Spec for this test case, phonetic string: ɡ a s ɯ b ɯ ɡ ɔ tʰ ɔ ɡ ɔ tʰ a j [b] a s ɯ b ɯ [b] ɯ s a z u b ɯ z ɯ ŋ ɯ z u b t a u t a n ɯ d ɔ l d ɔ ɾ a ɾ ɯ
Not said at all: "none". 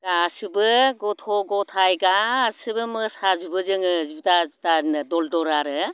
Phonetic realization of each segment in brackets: ɡ, m

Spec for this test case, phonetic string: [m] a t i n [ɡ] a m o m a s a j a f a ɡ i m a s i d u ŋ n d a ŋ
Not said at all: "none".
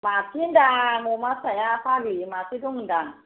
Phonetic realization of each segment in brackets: m, d

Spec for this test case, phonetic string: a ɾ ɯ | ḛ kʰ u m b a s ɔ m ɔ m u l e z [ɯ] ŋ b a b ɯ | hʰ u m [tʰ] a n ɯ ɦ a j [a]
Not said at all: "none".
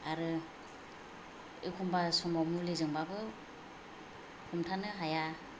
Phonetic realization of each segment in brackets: ɯ, tʰ, a

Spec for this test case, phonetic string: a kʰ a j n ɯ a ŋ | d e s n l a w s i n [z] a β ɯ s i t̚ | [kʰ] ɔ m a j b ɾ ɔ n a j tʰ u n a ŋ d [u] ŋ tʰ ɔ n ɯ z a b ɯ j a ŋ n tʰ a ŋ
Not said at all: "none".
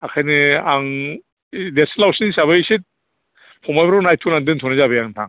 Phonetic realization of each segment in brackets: s, pʰ, ɯ

